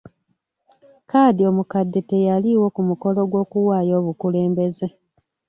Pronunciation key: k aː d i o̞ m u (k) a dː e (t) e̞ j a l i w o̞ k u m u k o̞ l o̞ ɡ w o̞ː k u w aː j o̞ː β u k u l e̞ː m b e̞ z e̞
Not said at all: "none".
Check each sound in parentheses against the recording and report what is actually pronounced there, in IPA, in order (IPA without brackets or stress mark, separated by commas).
k, t